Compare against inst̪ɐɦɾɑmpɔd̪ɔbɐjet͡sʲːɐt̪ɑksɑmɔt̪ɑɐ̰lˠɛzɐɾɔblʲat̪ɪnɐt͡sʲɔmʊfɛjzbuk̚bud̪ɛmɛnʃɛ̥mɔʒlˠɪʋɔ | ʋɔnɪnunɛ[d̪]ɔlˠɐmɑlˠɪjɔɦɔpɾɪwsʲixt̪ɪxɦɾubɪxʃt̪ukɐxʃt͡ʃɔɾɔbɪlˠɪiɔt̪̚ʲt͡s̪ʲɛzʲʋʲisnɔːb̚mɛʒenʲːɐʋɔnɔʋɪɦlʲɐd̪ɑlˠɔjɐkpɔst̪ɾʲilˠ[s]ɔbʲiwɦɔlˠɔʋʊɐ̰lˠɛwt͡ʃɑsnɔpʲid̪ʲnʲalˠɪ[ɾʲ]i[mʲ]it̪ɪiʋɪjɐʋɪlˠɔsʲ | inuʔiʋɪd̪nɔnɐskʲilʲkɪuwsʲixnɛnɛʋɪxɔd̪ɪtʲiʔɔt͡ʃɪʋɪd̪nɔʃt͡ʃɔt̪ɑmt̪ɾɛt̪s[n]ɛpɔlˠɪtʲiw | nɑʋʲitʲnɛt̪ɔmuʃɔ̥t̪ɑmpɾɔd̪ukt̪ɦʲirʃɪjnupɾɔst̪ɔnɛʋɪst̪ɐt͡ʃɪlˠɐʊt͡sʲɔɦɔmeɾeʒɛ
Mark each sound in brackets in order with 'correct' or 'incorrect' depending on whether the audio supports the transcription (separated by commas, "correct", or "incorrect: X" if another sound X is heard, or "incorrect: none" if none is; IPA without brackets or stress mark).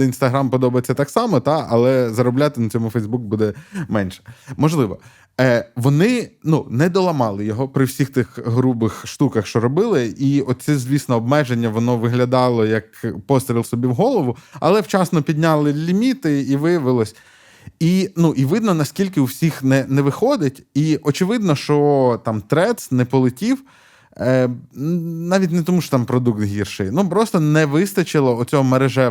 correct, correct, incorrect: lʲ, correct, correct